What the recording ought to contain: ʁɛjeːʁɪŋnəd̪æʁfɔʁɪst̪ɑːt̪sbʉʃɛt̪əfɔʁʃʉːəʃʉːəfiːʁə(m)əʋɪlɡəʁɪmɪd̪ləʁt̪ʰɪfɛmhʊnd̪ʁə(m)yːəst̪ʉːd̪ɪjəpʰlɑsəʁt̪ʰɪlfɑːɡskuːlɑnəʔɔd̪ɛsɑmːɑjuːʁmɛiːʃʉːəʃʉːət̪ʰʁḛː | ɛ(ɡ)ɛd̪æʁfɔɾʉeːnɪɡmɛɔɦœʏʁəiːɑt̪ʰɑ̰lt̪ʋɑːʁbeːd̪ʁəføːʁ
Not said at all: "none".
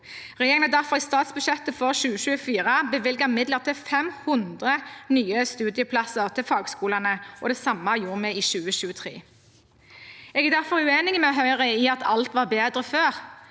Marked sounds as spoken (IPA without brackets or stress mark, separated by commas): b, n, ɡ